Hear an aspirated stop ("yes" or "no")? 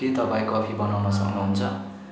yes